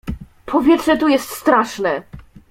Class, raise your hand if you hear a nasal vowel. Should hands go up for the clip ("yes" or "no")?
no